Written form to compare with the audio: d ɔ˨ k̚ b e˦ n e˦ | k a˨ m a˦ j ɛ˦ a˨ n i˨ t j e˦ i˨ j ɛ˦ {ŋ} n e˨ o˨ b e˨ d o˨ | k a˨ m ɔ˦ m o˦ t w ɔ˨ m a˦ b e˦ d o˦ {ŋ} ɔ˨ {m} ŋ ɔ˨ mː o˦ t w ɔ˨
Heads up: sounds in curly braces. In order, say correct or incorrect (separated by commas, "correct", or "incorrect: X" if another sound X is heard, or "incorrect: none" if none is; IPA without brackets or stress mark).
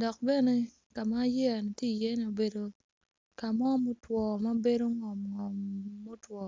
incorrect: none, correct, correct